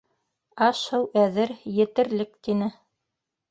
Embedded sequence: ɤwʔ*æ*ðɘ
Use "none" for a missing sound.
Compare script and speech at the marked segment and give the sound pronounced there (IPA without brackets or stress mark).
æ